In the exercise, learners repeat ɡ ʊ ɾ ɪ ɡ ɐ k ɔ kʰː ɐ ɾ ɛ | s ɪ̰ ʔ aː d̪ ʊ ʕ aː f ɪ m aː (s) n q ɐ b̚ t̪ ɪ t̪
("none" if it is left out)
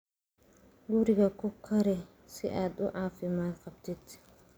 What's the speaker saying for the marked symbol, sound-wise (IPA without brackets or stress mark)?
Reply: none